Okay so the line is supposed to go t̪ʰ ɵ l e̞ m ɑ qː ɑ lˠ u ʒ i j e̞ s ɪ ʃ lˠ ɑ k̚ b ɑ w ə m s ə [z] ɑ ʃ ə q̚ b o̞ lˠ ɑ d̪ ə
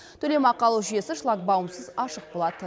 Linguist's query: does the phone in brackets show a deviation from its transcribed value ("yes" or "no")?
no